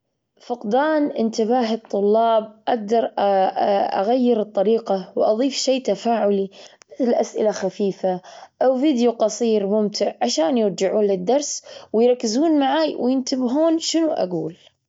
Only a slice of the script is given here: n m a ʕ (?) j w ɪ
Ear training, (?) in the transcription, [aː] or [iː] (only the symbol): aː